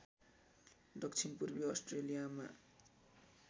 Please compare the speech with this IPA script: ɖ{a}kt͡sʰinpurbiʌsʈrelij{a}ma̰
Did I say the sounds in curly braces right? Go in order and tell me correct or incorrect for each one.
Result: incorrect, correct

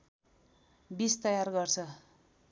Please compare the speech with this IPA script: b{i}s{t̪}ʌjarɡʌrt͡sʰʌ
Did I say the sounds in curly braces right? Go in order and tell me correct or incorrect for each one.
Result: correct, correct

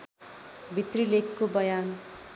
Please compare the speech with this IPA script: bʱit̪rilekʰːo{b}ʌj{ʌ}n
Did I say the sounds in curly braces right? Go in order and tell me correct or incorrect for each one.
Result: correct, incorrect

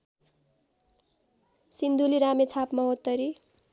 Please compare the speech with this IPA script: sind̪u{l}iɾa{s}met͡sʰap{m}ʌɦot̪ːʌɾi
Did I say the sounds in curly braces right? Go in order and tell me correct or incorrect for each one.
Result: correct, incorrect, correct

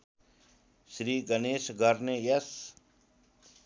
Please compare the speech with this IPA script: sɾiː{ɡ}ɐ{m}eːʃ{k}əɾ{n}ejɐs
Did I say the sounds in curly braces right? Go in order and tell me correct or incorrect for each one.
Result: correct, incorrect, incorrect, correct

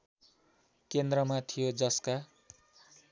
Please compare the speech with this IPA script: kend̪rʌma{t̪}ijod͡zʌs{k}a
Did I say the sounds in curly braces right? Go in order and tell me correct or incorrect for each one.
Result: incorrect, correct

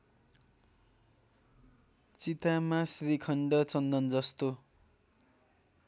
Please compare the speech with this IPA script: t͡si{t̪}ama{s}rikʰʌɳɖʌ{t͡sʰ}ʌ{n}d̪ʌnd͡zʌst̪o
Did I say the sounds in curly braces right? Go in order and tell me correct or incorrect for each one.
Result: correct, correct, incorrect, correct

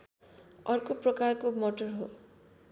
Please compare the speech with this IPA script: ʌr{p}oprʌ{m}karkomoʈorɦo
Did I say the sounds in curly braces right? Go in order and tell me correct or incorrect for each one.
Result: incorrect, incorrect

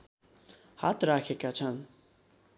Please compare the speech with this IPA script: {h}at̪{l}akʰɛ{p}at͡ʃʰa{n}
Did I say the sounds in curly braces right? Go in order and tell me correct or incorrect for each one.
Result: correct, incorrect, incorrect, correct

